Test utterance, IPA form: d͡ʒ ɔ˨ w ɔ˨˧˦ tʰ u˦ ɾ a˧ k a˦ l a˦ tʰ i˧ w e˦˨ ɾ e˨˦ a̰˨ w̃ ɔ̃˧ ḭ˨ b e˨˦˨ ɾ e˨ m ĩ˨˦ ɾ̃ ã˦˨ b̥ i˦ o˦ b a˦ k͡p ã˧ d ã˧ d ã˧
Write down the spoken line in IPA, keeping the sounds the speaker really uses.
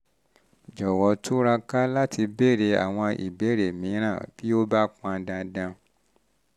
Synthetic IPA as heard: d͡ʒ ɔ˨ w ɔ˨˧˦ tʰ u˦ ɾ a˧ k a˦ l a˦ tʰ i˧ b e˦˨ ɾ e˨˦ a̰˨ w̃ ɔ̃˧ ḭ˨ b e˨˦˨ ɾ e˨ m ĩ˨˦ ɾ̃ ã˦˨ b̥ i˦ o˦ b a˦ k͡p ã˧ d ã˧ d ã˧